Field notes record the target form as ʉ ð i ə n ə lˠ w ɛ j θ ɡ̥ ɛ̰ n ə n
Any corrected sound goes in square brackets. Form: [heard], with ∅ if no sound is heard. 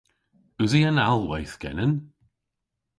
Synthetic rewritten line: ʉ [z] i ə n [a] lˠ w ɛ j θ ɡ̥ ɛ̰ n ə n